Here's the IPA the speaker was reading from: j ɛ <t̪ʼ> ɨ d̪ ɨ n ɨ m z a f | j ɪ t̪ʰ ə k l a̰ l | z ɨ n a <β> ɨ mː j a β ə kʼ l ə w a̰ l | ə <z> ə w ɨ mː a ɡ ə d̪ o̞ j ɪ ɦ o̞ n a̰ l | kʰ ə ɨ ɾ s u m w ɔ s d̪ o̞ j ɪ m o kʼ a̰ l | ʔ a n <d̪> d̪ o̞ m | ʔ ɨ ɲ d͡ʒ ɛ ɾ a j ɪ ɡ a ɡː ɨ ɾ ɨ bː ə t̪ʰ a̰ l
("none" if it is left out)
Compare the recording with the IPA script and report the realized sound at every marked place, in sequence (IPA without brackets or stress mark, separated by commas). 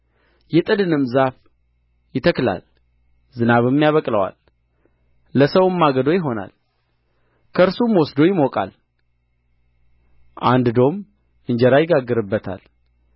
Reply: t̪ʼ, β, s, d̪